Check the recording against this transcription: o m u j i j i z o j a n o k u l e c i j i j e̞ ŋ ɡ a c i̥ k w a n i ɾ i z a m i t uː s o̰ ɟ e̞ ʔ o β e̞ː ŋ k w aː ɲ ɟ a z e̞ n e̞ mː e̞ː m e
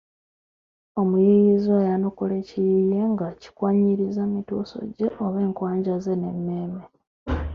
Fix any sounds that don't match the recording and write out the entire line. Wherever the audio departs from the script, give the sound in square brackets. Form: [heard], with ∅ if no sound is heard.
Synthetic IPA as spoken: o m u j i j i z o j a n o k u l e c i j i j e̞ ŋ ɡ a c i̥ k w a [ɲ] i ɾ i z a m i t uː s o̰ ɟ e̞ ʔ o β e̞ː ŋ k w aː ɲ ɟ a z e̞ n e̞ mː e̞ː m e